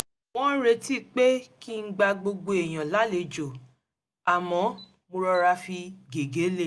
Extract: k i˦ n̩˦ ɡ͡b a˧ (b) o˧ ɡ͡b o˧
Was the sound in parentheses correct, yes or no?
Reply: no